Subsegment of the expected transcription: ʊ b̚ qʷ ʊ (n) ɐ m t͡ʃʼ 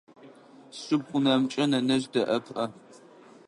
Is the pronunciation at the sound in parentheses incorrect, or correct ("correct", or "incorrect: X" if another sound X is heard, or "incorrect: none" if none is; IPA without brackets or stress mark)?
correct